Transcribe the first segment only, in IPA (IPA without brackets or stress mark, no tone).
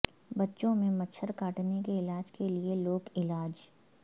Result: b